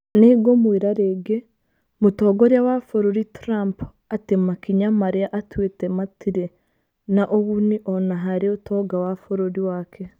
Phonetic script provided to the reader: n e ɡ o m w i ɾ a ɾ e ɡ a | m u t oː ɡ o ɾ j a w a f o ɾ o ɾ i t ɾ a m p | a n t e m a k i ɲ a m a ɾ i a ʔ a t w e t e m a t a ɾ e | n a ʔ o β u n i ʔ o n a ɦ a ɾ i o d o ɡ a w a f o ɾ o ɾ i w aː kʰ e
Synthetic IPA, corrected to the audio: n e ɡ o m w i ɾ a ɾ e ɡ e | m u t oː ɡ o ɾ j a w a f o ɾ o ɾ i t ɾ a m p | a t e m a k i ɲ a m a ɾ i a ʔ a t w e t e m a t i ɾ e | n a ʔ o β u n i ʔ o n a ɦ a ɾ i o t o ɡ a w a f o ɾ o ɾ i w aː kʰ e